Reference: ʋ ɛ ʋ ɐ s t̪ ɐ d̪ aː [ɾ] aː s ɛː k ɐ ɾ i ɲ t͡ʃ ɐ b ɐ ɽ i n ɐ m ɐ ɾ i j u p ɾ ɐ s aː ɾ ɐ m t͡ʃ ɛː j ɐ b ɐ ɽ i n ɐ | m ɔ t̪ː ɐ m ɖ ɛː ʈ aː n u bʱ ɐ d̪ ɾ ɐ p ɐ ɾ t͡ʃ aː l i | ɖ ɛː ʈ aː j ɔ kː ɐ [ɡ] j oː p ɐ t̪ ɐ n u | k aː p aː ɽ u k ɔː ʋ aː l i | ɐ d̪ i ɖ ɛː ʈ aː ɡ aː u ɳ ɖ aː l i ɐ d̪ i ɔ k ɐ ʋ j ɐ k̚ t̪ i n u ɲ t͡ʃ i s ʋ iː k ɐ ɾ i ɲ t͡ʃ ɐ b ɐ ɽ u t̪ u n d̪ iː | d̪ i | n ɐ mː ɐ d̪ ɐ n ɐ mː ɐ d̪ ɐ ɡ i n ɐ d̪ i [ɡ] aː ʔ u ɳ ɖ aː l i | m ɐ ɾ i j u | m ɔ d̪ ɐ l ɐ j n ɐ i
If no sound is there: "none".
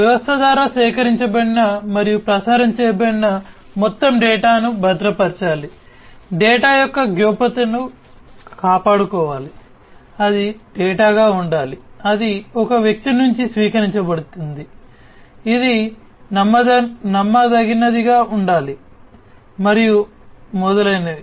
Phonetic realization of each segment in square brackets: ɾ, ɡ, ɡ

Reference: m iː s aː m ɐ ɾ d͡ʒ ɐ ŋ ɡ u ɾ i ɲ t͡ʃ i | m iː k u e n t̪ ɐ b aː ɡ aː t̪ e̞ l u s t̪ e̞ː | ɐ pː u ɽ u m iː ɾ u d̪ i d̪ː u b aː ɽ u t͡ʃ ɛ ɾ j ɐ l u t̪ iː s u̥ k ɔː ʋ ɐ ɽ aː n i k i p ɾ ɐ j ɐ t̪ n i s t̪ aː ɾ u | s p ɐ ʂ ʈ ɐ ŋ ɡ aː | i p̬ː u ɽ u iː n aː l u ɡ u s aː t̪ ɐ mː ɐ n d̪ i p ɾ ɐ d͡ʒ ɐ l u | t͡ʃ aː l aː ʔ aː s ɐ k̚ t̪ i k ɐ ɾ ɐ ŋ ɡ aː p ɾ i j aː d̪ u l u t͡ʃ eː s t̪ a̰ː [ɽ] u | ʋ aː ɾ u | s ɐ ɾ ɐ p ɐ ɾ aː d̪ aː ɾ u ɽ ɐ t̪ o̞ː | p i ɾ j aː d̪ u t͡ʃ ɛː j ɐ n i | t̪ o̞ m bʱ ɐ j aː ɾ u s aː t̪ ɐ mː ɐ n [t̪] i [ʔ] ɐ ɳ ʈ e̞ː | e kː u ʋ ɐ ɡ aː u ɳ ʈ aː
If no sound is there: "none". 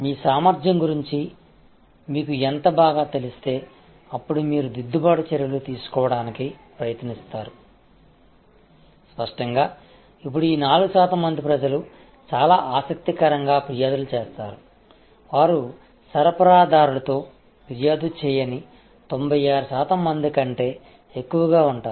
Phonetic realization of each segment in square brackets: ɾ, d̪, k

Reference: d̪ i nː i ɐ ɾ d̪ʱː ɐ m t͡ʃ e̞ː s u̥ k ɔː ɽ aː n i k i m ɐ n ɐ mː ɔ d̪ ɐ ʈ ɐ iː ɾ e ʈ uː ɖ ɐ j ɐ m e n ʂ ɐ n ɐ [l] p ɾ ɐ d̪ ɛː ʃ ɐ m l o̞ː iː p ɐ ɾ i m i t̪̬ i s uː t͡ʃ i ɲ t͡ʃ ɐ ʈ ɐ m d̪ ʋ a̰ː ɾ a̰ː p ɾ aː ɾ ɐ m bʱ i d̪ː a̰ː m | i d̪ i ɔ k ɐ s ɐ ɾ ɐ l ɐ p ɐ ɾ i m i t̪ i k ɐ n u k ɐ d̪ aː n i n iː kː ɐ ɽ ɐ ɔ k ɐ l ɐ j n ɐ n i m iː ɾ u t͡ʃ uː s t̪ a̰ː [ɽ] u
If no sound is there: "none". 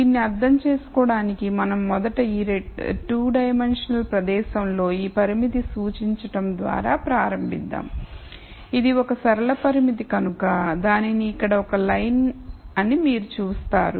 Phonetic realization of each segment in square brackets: l, ɾ

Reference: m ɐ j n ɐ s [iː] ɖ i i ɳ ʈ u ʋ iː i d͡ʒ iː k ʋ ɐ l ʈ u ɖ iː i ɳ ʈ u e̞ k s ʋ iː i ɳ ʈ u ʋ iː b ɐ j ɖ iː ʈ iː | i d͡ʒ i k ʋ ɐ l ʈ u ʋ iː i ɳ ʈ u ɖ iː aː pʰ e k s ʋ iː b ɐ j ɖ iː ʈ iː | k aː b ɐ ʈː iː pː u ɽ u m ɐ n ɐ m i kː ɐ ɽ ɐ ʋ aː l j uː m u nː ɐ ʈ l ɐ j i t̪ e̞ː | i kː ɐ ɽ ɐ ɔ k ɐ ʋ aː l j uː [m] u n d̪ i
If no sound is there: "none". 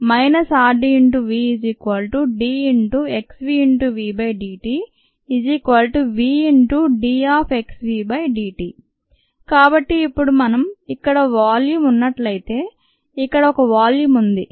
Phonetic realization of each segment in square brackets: aː, m

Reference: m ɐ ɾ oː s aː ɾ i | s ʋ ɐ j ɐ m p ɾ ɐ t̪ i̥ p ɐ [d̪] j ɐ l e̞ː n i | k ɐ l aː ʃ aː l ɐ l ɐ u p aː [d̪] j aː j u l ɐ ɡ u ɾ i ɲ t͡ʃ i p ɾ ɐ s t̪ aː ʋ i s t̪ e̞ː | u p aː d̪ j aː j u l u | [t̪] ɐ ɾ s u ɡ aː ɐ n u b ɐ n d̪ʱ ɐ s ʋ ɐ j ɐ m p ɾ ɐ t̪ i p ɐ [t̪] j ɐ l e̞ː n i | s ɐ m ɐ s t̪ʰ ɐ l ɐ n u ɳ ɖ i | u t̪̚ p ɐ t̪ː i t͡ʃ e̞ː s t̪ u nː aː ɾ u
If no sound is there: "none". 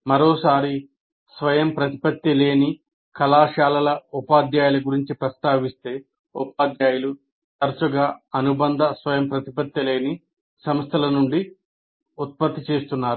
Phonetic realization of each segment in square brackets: t̪, d̪, t̪, t̪

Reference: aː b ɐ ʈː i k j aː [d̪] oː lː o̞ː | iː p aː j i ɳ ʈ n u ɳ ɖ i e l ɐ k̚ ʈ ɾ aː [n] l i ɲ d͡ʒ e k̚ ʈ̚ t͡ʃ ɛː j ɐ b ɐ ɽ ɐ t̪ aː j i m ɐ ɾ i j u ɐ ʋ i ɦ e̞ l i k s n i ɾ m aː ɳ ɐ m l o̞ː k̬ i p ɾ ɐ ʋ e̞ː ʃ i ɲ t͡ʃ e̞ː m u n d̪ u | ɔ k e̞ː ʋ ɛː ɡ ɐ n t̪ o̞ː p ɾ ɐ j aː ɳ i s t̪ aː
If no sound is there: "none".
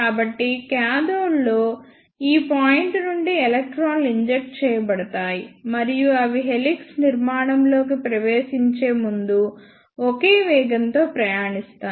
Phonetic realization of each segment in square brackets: d̪, n

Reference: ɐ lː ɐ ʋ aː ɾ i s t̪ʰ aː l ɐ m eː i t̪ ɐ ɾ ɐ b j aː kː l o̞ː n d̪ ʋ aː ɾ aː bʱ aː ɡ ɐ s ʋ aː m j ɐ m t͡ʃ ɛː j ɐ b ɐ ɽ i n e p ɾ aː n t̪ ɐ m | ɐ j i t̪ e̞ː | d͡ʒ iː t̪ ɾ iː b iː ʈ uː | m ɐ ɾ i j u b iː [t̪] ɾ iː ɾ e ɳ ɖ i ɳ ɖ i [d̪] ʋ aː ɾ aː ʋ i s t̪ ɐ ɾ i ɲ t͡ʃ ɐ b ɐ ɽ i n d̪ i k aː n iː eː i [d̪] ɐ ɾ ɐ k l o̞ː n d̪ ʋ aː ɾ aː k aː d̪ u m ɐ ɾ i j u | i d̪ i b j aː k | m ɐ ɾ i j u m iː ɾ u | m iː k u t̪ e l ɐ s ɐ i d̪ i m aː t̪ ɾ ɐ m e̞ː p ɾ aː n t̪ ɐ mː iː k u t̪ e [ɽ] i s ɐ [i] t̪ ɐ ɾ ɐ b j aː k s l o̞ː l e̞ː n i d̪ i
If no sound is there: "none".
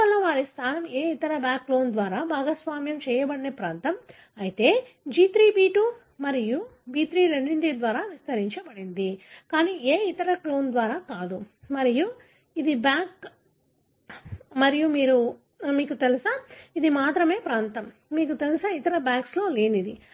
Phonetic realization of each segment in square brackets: t̪, d̪, t̪, l, i

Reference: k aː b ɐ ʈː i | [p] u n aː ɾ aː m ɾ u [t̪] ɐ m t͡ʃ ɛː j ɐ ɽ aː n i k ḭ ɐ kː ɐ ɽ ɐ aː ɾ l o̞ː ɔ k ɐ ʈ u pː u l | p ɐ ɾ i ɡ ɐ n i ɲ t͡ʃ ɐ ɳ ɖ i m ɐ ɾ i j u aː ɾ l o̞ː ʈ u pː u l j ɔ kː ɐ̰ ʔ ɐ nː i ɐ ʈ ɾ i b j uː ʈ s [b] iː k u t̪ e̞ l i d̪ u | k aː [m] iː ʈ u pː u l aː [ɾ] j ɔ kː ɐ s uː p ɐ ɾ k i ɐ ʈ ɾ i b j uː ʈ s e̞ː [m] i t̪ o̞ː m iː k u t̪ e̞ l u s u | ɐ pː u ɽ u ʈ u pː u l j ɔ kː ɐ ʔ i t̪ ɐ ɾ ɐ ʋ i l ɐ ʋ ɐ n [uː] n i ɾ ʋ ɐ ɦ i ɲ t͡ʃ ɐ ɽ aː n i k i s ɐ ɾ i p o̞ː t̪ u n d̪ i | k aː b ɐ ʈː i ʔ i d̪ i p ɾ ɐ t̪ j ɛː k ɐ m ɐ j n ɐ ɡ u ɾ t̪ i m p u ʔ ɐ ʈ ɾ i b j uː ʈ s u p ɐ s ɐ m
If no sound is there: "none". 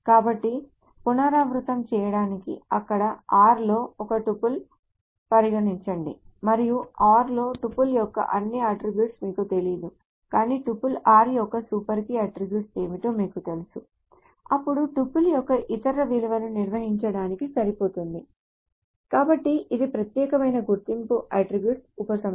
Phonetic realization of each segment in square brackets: p, t̪, m, n, ɾ, m, u

